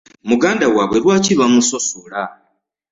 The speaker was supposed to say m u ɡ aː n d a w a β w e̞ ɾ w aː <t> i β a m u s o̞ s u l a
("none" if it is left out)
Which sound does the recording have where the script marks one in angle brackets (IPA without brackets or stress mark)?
c